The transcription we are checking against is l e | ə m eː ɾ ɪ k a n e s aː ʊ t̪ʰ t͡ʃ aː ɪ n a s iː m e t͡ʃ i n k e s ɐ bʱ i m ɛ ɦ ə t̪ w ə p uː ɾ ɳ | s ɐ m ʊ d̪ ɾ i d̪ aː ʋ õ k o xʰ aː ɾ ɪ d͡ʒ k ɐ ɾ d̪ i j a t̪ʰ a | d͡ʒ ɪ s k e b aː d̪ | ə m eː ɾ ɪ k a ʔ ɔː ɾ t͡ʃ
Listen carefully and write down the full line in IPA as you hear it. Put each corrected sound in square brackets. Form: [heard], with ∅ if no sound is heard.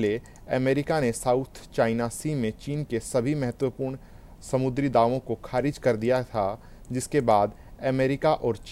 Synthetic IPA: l e | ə m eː ɾ ɪ k a n e s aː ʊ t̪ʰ t͡ʃ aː ɪ n a s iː m [ẽ] t͡ʃ [iː] n k e s ɐ bʱ i m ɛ ɦ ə t̪ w ə p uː ɾ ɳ | s ɐ m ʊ d̪ ɾ i d̪ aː ʋ õ k o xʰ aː ɾ ɪ d͡ʒ k ɐ ɾ d̪ i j a t̪ʰ a | d͡ʒ ɪ s k e b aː d̪ | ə m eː ɾ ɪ k a ʔ ɔː ɾ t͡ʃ